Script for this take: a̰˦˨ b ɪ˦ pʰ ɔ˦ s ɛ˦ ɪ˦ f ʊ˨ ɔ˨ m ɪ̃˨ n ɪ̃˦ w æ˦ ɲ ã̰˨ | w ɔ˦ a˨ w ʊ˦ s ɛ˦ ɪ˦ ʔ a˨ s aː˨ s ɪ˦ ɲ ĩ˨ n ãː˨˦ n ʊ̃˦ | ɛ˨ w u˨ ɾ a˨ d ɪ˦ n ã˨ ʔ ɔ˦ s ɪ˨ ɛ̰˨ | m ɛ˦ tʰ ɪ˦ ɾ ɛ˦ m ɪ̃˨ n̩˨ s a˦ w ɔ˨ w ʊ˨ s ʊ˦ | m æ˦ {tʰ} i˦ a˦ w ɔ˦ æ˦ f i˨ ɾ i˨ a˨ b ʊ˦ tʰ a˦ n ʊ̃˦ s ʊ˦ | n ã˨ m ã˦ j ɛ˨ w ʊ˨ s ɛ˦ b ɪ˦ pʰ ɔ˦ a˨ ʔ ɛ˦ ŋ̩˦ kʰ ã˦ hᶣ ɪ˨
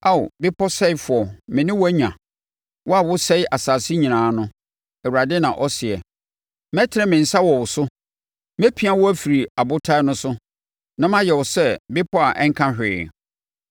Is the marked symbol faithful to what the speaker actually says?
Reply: no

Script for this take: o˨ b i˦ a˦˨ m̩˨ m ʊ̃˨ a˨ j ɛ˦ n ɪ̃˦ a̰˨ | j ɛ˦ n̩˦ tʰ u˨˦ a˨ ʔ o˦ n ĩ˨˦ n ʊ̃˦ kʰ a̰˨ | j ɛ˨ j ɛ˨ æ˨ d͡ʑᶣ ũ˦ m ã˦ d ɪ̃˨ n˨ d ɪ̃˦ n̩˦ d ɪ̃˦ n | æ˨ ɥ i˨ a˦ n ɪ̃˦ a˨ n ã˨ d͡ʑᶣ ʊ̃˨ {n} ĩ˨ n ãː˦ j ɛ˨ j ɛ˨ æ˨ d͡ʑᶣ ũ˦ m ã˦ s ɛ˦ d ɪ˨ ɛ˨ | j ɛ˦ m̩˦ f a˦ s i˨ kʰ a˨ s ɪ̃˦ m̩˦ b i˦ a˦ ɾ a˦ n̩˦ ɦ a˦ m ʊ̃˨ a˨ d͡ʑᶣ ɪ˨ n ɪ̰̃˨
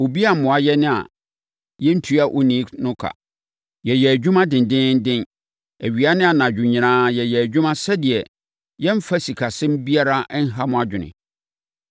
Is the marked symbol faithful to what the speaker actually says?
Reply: no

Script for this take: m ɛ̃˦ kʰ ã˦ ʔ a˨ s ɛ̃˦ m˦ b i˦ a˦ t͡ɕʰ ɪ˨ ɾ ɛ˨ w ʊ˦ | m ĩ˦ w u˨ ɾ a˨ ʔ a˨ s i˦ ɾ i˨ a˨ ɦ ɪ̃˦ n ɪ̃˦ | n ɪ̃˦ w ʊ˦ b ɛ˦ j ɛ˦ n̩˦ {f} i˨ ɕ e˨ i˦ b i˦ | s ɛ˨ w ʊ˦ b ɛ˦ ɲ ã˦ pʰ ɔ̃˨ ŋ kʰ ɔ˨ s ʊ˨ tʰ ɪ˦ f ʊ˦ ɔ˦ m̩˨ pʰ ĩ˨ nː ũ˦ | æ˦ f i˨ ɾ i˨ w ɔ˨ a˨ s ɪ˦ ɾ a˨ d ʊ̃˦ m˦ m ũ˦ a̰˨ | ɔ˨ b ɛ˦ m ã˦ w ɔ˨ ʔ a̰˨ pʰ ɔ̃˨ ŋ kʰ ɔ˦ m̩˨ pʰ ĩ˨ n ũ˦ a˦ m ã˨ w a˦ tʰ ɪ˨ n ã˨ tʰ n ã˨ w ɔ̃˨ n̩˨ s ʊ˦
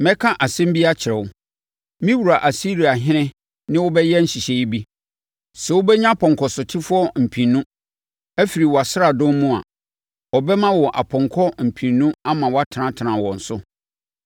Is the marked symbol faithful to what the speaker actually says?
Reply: no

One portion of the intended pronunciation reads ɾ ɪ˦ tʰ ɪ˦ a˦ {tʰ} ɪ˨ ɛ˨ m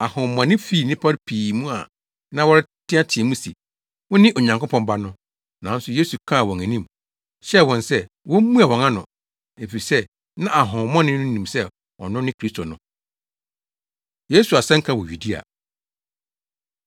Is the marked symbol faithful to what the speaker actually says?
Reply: yes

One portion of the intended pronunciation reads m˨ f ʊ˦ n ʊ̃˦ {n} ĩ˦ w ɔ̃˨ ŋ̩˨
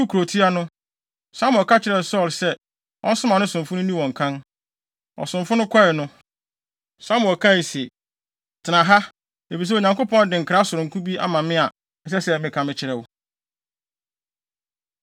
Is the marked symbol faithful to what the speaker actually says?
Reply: yes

